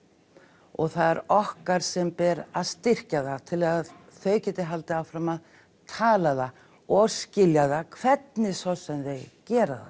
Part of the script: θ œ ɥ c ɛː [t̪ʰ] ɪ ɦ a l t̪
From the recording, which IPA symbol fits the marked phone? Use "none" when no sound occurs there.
t̪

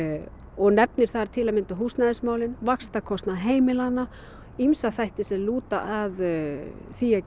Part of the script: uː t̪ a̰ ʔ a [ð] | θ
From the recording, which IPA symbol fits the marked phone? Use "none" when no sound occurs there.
ð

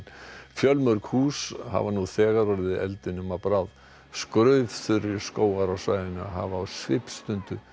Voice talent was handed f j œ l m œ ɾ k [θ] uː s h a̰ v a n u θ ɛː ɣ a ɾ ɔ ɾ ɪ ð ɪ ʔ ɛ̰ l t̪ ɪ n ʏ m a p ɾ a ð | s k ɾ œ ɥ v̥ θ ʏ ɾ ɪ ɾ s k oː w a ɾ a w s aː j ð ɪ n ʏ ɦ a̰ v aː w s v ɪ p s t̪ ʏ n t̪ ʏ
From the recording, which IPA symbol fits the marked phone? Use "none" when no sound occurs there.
h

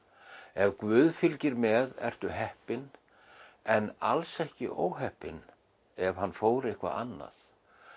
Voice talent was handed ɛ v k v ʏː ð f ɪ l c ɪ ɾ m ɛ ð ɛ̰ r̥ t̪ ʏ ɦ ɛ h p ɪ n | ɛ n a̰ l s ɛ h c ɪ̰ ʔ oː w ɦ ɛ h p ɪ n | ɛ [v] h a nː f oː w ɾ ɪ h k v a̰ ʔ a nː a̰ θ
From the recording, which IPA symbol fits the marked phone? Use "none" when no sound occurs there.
v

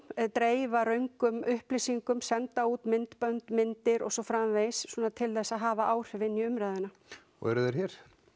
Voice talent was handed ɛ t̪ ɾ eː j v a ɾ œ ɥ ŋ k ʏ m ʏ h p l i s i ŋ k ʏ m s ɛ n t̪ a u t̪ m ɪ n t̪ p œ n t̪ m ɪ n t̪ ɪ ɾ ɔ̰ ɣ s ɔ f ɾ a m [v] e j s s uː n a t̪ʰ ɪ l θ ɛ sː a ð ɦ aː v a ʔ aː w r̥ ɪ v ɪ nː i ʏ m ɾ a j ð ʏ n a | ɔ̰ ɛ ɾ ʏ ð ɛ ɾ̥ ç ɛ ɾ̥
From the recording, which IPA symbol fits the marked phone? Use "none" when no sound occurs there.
v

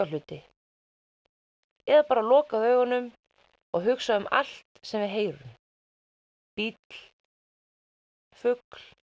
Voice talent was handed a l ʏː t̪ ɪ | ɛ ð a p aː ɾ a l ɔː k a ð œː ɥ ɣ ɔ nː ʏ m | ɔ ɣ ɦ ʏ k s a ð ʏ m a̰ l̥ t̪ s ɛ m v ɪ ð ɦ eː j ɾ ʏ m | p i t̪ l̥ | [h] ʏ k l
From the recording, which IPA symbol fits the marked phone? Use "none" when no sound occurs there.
f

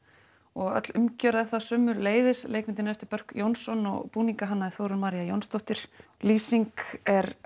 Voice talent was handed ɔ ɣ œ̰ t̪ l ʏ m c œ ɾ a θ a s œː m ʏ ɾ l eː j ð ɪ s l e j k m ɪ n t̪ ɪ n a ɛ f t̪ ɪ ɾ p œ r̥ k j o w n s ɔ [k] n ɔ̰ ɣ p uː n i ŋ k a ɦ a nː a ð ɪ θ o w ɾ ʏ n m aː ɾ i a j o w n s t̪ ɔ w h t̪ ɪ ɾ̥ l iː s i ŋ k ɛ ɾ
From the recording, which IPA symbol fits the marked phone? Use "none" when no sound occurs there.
none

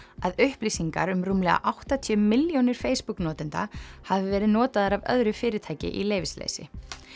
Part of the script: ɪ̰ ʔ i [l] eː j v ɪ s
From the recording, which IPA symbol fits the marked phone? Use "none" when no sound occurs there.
l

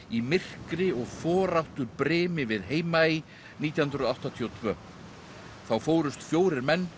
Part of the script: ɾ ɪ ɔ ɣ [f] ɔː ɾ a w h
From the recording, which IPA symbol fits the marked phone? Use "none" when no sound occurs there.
f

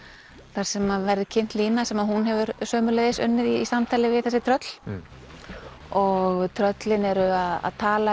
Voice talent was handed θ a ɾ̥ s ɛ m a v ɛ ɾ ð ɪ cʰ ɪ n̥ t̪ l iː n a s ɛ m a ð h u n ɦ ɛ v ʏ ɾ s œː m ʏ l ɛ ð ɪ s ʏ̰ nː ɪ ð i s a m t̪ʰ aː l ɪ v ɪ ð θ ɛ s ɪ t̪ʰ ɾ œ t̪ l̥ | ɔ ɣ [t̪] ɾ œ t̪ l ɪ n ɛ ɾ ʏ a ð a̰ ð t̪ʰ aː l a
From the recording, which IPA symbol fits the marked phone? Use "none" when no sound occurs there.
t̪ʰ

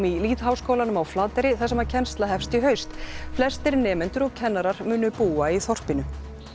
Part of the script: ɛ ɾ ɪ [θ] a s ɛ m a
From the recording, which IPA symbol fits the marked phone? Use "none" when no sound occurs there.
θ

